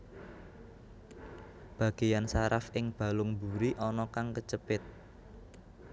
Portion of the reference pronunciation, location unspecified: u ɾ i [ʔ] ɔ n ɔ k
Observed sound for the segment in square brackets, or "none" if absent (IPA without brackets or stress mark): ʔ